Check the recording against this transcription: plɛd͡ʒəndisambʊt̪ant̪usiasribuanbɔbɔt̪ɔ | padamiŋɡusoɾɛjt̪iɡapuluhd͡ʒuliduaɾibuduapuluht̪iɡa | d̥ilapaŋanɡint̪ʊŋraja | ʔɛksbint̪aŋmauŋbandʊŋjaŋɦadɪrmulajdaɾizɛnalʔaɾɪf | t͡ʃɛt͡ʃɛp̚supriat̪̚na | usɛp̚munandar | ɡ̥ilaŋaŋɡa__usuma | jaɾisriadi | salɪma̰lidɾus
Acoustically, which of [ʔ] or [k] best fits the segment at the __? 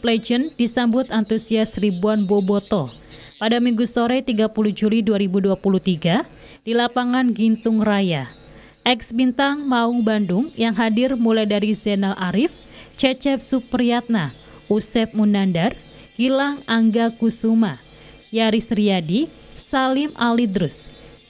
k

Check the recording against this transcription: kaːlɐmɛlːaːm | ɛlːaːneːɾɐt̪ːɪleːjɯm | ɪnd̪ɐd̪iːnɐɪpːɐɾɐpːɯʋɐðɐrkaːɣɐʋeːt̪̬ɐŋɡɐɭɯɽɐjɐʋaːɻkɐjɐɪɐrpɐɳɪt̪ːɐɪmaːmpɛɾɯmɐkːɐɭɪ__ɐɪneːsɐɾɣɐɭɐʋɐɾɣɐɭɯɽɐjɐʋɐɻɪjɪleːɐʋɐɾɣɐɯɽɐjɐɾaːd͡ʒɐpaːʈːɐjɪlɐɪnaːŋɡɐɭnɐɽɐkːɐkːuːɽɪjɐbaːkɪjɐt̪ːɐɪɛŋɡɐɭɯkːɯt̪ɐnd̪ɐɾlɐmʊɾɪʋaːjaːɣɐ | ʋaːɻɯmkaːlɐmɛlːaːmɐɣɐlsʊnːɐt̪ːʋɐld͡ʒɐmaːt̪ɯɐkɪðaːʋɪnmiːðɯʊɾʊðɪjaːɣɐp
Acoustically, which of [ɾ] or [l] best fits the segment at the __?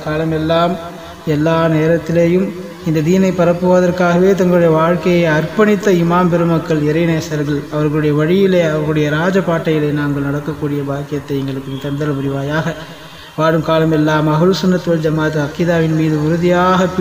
ɾ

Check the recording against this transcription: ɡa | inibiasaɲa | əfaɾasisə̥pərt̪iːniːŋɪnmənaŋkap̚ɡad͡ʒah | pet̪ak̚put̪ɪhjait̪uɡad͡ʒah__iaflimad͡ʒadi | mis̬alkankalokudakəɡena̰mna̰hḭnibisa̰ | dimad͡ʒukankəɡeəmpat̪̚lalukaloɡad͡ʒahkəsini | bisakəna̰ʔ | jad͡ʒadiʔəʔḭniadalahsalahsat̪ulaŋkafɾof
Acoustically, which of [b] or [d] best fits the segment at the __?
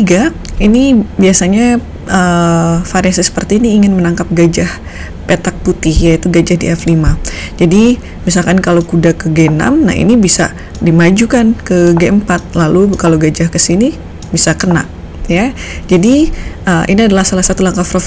d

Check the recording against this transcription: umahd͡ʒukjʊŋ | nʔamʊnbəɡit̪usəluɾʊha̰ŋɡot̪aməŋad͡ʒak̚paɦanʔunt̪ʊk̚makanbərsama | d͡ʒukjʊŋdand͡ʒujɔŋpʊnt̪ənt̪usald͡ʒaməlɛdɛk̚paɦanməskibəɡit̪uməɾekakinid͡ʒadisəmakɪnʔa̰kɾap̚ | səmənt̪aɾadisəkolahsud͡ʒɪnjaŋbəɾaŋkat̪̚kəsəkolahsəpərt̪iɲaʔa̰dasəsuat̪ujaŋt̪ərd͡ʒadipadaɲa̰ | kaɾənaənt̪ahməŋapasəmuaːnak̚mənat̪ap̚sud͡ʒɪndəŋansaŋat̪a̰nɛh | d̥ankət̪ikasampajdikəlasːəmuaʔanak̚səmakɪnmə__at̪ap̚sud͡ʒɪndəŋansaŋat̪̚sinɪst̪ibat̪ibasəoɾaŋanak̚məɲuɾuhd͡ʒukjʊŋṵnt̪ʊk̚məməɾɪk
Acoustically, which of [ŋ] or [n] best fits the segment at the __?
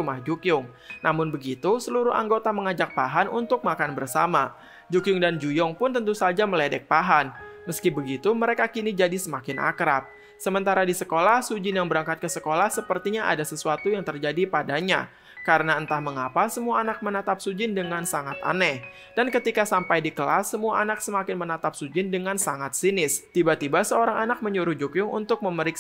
n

